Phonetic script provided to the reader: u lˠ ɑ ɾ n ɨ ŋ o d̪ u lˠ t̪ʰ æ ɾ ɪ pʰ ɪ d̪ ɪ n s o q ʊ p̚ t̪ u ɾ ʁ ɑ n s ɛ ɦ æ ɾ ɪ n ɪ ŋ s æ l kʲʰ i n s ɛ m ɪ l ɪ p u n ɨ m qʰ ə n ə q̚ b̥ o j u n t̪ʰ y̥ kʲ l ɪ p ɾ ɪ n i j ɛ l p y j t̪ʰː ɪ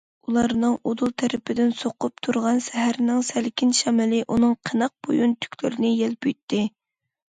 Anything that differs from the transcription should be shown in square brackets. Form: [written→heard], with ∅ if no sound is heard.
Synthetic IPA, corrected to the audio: u lˠ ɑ ɾ n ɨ ŋ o d̪ u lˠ t̪ʰ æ ɾ ɪ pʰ ɪ d̪ ɪ n s o q ʊ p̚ [t̪→t̪ʰ] u ɾ ʁ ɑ n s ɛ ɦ æ ɾ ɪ n ɪ ŋ s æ l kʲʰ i n [s→ʃ] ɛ m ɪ l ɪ [p→ʔ] u n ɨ [m→ŋ] qʰ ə n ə q̚ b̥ o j u n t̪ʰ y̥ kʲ l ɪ [p→∅] ɾ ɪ n [i→ɪ] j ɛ l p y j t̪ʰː ɪ